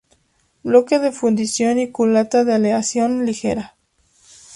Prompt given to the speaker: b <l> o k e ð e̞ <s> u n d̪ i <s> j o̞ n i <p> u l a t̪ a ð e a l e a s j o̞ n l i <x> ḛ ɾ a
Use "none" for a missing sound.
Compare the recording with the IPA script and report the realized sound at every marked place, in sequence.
l, f, s, k, x

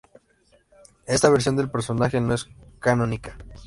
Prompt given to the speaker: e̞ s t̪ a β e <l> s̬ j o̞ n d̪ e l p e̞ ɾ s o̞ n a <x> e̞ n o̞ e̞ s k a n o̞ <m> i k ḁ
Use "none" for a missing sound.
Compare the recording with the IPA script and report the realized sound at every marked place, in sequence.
ɾ, x, n

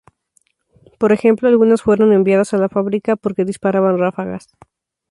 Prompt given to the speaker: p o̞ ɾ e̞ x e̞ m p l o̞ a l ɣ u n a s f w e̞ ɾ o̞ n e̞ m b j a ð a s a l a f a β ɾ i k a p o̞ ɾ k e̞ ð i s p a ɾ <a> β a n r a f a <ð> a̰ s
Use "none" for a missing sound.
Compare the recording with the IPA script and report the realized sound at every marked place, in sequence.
a, ɣ

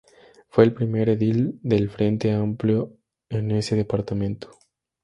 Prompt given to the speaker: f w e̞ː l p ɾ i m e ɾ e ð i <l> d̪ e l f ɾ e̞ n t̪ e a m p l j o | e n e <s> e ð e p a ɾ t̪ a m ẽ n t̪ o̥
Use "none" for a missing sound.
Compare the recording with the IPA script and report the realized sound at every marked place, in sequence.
l, s

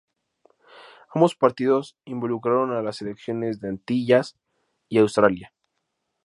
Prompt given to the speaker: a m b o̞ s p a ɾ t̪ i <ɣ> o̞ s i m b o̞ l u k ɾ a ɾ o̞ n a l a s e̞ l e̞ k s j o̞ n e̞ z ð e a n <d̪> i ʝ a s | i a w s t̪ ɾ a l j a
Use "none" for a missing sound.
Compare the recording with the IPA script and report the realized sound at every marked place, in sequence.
ð, t̪

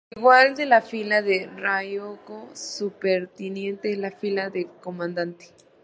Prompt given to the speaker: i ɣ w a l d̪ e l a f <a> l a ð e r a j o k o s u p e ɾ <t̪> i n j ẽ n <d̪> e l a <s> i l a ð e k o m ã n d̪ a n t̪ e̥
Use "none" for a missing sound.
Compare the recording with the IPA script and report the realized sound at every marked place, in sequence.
i, t̪, t̪, f

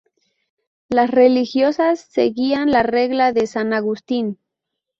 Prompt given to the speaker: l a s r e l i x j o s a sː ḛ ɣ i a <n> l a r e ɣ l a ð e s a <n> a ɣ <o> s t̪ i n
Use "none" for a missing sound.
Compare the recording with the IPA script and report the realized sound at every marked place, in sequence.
n, n, u

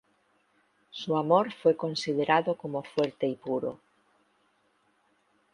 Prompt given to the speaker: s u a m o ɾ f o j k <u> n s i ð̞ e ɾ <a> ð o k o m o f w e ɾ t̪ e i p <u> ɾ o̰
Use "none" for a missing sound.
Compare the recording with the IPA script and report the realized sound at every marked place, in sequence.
o, a, u

